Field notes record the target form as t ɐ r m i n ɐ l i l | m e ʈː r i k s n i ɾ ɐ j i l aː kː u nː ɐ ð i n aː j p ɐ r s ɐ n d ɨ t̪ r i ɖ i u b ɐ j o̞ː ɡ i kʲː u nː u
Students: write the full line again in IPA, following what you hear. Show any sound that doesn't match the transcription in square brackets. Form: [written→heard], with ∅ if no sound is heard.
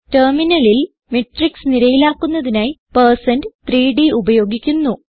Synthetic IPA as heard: t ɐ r m i n ɐ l i l | m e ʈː r i k s n i ɾ ɐ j i l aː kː u nː ɐ ð i n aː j p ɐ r s ɐ n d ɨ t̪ r [i→iː] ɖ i u b ɐ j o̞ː ɡ i kʲː u nː u